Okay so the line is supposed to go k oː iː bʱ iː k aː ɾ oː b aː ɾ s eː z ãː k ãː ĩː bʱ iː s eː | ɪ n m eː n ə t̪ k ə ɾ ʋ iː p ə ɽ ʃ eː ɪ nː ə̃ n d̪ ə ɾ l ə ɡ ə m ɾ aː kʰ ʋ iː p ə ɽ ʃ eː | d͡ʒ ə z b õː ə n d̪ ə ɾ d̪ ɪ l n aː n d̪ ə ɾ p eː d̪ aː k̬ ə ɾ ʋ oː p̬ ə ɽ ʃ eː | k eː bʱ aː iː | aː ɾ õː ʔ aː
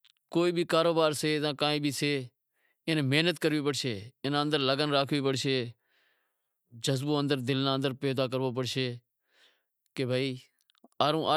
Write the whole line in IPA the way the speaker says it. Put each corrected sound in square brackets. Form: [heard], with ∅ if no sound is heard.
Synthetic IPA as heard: k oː iː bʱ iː k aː ɾ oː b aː ɾ s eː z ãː k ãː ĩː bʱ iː s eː | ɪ n m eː n ə t̪ k ə ɾ ʋ iː p ə ɽ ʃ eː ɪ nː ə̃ n d̪ ə ɾ l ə ɡ ə [n] ɾ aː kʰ ʋ iː p ə ɽ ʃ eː | d͡ʒ ə z b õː ə n d̪ ə ɾ d̪ ɪ l n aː n d̪ ə ɾ p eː d̪ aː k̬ ə ɾ ʋ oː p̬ ə ɽ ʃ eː | k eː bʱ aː iː | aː ɾ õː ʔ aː